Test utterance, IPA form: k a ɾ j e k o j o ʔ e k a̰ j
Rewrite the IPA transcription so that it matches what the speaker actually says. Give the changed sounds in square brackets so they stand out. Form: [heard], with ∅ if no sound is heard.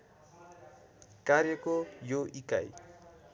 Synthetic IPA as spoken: k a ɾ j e k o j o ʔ [i] k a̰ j